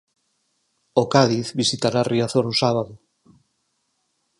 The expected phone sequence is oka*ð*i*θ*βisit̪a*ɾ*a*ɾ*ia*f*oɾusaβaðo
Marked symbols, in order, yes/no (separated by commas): yes, yes, yes, no, no